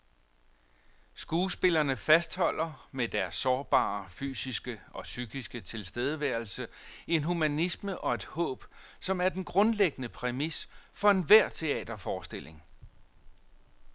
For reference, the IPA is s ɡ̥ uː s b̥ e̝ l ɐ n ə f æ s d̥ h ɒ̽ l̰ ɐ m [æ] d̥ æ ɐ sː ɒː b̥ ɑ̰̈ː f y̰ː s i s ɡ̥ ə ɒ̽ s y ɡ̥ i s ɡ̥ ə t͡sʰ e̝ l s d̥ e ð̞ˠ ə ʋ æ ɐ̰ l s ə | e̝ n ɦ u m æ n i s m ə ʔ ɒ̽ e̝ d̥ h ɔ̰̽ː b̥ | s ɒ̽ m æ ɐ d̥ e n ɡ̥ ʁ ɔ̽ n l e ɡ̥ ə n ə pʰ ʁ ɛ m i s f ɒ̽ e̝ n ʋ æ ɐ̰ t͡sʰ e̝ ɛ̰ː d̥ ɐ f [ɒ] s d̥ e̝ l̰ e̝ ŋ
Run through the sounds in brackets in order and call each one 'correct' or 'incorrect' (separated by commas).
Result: incorrect, incorrect